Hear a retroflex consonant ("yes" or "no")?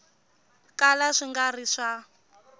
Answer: yes